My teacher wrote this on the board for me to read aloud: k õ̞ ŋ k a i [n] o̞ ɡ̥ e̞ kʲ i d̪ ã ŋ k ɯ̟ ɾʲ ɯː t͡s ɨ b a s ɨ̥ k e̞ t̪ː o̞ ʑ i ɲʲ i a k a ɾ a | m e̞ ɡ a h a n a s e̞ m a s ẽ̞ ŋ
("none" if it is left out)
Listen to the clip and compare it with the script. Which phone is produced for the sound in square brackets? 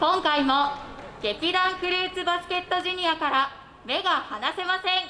m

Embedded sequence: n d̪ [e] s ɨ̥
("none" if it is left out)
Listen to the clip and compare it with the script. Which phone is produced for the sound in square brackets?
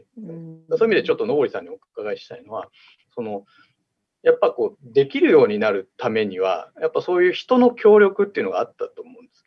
e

